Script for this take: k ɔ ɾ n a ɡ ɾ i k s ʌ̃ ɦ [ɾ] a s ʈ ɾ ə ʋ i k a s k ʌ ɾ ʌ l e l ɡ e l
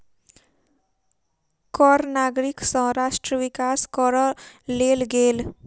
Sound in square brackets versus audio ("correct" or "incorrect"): correct